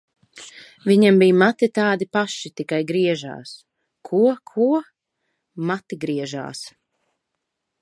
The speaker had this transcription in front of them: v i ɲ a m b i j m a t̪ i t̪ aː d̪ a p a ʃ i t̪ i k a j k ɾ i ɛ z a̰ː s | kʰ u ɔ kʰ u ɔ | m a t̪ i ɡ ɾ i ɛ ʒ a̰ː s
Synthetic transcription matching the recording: v i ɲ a m b i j m a t̪ i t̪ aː d̪ i p a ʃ i t̪ i k a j ɡ ɾ i ɛ ʒ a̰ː s | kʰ u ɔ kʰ u ɔ | m a t̪ i ɡ ɾ i ɛ ʒ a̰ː s